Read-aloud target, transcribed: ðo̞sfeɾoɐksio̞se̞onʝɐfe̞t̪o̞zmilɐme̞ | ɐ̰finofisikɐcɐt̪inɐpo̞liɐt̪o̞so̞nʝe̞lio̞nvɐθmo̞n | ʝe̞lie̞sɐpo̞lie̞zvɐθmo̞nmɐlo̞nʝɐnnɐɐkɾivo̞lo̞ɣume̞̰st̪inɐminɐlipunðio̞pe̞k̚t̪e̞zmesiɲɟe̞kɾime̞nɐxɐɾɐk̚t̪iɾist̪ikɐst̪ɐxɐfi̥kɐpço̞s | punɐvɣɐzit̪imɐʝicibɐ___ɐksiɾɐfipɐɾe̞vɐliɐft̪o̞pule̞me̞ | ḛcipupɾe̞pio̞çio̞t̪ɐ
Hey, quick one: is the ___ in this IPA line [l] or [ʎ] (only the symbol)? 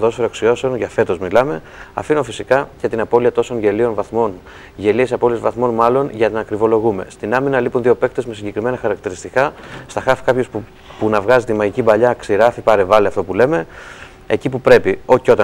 ʎ